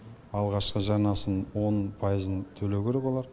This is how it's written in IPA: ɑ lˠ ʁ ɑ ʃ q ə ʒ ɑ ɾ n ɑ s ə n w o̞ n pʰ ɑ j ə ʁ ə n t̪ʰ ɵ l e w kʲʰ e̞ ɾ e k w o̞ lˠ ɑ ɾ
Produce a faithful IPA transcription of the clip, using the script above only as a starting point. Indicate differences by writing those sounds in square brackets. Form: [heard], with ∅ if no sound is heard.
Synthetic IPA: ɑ lˠ ʁ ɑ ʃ q ə ʒ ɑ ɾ n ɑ s ə n w o̞ n pʰ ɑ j ə [z] ə n t̪ʰ ɵ l e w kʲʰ e̞ ɾ e k w o̞ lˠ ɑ ɾ